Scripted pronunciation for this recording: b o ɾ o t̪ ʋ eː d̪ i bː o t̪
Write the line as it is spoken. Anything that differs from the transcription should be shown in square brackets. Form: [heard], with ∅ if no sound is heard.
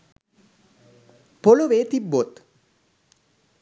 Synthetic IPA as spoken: [p] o [l] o [∅] ʋ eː [t̪] i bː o t̪